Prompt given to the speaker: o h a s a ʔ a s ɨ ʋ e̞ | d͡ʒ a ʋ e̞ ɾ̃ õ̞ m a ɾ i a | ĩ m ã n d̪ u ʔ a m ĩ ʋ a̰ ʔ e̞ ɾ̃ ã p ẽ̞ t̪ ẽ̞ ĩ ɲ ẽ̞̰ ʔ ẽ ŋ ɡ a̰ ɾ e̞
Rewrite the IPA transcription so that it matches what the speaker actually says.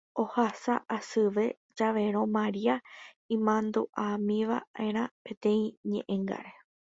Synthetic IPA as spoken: o h a s a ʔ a s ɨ ʋ e̞ | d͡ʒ a ʋ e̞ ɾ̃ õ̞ m a ɾ i a | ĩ m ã n d̪ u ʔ a m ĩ ʋ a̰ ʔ e̞ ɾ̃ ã p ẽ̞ t̪ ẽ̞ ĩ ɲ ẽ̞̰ ʔ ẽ ŋ ɡ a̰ ɾ e̞